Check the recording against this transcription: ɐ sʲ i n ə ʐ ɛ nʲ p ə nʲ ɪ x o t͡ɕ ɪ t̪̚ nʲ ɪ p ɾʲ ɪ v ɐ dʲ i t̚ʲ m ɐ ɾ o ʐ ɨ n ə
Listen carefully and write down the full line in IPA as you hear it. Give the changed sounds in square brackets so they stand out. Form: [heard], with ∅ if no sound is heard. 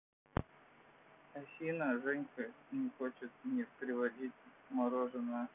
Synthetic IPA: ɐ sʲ i n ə ʐ ɛ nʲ [k] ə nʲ ɪ x o t͡ɕ ɪ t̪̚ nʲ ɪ p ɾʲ ɪ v ɐ dʲ i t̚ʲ m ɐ ɾ o ʐ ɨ n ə